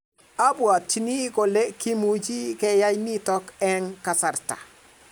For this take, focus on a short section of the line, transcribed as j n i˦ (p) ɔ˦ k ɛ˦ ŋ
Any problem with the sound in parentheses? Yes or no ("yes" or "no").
yes